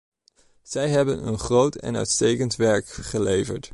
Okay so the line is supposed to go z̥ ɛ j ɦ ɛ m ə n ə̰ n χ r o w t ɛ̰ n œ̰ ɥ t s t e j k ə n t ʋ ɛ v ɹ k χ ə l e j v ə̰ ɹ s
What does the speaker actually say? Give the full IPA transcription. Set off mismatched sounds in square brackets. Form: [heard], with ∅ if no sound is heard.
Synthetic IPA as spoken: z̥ ɛ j ɦ ɛ [b] ə n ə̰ n χ r o w t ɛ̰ n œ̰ ɥ t s t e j k ə n t ʋ ɛ [∅] ɹ k χ ə l e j v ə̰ ɹ [t]